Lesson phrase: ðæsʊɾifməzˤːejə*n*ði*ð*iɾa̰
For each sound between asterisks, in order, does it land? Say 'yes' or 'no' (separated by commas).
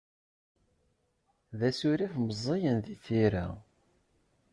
yes, no